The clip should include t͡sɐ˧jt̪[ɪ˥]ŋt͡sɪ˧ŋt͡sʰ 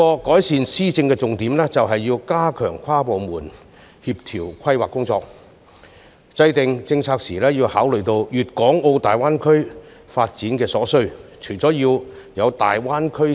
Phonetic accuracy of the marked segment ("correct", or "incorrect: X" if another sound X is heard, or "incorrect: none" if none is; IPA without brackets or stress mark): incorrect: ɪ˨